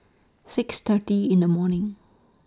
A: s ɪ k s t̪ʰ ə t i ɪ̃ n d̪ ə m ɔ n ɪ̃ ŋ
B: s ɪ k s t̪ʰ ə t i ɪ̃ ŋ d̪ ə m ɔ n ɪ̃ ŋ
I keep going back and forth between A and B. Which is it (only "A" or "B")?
A